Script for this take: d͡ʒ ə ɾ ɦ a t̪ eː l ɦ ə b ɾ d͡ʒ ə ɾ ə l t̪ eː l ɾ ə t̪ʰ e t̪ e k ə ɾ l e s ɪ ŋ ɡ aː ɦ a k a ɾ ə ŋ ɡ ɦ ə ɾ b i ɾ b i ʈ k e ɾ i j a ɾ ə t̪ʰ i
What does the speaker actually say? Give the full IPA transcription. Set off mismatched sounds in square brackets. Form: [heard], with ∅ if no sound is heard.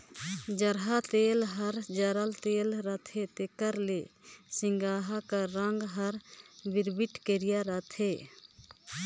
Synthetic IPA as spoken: d͡ʒ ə ɾ ɦ a t̪ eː l ɦ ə [∅] ɾ d͡ʒ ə ɾ ə l t̪ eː l ɾ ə t̪ʰ e t̪ e k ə ɾ l e s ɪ ŋ ɡ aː ɦ a k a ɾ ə ŋ ɡ ɦ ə ɾ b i ɾ b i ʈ k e ɾ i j a ɾ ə t̪ʰ [e]